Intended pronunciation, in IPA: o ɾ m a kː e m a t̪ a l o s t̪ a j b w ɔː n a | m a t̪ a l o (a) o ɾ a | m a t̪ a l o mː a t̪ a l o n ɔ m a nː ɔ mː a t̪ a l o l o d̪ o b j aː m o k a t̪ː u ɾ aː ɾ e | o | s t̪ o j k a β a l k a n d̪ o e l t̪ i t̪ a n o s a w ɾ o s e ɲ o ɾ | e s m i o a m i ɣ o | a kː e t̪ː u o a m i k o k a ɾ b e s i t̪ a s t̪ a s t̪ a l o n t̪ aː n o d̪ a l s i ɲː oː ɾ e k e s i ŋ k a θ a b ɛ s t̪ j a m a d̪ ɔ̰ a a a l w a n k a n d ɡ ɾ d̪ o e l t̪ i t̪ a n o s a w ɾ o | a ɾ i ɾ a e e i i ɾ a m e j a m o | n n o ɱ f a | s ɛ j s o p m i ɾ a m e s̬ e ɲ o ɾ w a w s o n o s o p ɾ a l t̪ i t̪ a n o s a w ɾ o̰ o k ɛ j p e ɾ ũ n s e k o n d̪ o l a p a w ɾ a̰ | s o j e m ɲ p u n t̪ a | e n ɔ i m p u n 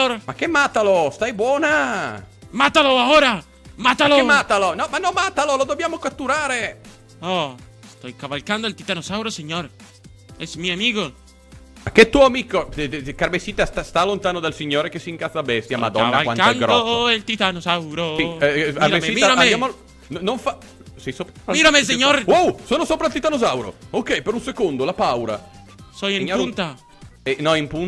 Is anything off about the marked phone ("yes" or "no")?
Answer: no